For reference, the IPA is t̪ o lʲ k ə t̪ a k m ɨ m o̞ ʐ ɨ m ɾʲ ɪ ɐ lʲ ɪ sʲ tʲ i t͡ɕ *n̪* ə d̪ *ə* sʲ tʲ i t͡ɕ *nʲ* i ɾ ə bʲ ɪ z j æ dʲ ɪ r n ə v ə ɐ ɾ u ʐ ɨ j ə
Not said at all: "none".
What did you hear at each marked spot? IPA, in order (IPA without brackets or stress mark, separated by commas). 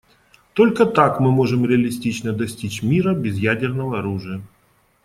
n̪, ɐ, mʲ